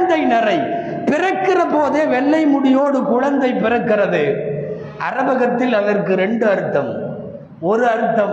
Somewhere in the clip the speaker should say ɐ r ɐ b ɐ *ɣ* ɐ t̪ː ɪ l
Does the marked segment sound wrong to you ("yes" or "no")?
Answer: no